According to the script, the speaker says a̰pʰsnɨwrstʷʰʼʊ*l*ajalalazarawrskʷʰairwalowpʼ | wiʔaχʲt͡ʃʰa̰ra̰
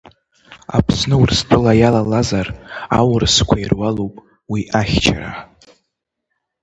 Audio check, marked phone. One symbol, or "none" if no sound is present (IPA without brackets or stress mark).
l